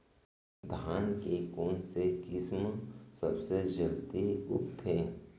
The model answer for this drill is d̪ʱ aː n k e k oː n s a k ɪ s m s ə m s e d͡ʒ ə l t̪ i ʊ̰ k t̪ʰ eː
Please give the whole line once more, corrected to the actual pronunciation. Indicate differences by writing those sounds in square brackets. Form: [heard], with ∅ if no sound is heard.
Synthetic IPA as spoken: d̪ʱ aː n k e k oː n s [e] k ɪ s m s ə [b] s e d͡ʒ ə l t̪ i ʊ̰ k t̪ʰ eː

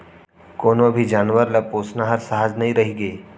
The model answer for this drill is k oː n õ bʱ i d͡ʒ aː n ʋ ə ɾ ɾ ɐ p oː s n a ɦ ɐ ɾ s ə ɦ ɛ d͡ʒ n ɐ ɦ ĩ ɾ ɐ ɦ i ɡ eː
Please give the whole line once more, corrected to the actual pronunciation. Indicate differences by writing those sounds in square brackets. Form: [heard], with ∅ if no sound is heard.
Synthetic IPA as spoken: k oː n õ bʱ i d͡ʒ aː n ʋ ə ɾ [l] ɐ p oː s n a ɦ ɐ ɾ s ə ɦ [a] d͡ʒ n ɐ ɦ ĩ ɾ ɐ ɦ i ɡ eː

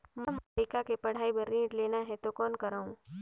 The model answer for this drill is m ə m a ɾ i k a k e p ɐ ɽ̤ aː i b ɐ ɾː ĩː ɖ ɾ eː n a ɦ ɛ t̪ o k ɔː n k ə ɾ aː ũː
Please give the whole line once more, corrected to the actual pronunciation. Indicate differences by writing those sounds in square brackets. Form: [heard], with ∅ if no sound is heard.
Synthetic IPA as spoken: m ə m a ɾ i k a k e p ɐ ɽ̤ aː i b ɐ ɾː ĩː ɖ [l] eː n a ɦ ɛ t̪ o k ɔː n k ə ɾ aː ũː

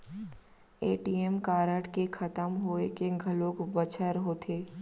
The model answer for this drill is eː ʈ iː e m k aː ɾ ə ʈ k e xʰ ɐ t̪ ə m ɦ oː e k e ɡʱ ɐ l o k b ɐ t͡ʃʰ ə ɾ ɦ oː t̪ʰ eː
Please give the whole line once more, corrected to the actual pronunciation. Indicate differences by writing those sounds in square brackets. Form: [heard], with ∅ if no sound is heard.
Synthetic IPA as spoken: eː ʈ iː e m k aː ɾ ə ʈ k e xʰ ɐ t̪ ə m ɦ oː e k e ɡʱ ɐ l o k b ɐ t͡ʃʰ ə ɾ ɦ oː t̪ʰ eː

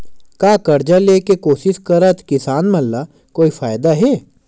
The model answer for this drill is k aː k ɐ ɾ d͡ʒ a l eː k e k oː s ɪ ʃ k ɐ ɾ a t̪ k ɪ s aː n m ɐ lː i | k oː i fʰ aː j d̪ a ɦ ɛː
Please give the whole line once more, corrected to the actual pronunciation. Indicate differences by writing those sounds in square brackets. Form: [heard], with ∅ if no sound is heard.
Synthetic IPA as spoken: k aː k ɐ ɾ d͡ʒ a l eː k e k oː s ɪ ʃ k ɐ ɾ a t̪ k ɪ s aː n m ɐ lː [a] | k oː i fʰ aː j d̪ a ɦ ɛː

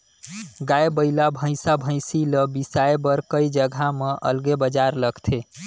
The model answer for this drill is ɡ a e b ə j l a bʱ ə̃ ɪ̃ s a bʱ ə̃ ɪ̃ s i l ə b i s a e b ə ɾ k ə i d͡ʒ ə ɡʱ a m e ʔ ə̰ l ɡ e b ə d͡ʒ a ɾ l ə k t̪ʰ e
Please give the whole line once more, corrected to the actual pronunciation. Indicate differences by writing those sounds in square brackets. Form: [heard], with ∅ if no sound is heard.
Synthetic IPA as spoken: ɡ a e b ə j l a bʱ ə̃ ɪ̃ s a bʱ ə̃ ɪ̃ s i l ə b i s a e b ə ɾ k ə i d͡ʒ ə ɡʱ a m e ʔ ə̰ l ɡ e b ə d͡ʒ a ɾ l ə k t̪ʰ e

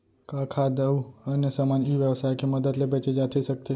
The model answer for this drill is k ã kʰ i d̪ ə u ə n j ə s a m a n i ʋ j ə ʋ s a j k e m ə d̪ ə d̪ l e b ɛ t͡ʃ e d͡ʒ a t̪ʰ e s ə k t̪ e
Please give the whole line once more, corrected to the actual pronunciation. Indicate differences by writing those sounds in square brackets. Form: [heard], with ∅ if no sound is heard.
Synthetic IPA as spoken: k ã kʰ [a] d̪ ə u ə n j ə s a m a n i ʋ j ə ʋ s a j k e m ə d̪ ə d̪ l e b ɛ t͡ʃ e d͡ʒ a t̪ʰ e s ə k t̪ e

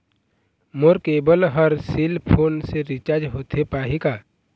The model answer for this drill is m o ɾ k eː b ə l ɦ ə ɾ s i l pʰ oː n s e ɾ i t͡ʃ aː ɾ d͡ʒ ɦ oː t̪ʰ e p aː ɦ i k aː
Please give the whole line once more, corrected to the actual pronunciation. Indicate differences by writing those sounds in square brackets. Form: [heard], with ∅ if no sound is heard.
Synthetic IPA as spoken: m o ɾ k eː b ə l ɦ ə ɾ s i l pʰ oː n s e ɾ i t͡ʃ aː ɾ d͡ʒ ɦ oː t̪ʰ e p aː ɦ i k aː

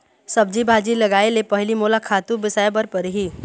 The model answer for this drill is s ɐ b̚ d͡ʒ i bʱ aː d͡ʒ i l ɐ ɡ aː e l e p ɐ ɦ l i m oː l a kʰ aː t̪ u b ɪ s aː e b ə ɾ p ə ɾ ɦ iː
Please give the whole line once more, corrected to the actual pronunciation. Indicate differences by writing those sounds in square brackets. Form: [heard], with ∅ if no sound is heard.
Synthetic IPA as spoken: s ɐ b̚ d͡ʒ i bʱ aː d͡ʒ i l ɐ ɡ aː e l e p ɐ ɦ l i m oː l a kʰ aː t̪ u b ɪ s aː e b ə ɾ p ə ɾ ɦ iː

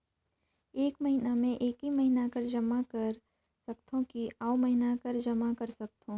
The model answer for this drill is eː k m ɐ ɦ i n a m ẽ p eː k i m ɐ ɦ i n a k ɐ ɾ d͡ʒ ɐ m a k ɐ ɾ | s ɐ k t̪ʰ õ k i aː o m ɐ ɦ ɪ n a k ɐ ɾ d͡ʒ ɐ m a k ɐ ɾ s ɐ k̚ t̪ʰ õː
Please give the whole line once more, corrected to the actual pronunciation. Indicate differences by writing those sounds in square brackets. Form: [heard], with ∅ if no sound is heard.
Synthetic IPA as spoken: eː k m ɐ ɦ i n a m ẽ [ʔ] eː k i m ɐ ɦ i n a k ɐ ɾ d͡ʒ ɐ m a k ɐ ɾ | s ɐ k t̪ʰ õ k i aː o m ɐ ɦ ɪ n a k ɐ ɾ d͡ʒ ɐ m a k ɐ ɾ s ɐ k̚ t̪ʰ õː

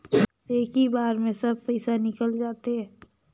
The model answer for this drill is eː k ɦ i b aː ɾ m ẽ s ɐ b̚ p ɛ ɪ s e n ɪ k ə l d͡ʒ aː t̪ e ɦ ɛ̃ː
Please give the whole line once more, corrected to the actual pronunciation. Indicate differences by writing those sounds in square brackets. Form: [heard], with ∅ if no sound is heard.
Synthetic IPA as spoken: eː k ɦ i b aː ɾ m ẽ s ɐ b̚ p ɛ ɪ s [a] n ɪ k ə l d͡ʒ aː t̪ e ɦ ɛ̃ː

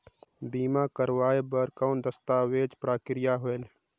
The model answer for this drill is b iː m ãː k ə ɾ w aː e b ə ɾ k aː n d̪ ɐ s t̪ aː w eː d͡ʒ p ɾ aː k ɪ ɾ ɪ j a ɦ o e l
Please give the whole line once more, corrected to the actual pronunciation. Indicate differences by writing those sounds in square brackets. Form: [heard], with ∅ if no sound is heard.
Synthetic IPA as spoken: b iː m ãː k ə ɾ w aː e b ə ɾ k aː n d̪ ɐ s t̪ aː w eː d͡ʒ p ɾ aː k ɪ ɾ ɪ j a ɦ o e l

